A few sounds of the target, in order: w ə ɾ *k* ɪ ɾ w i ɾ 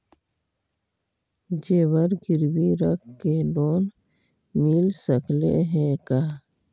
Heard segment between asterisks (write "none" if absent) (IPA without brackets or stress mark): ɡ